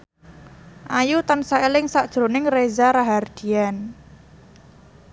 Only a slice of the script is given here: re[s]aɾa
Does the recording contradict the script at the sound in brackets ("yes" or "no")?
yes